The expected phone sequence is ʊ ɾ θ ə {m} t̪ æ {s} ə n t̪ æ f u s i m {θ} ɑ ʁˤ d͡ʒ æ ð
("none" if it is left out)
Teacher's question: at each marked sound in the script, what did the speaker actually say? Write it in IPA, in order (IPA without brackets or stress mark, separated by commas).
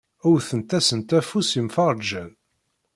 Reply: n, s, f